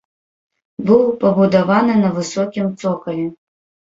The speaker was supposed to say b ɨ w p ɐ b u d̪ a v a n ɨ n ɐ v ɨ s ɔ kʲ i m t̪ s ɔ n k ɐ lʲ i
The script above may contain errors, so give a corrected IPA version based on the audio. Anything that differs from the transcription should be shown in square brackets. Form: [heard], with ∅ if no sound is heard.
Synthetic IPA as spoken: b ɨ w p ɐ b u d̪ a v a n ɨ n ɐ v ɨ s ɔ kʲ i m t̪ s ɔ [∅] k ɐ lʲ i